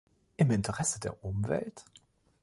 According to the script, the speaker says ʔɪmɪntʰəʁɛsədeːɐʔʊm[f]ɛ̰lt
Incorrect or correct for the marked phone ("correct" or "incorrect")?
incorrect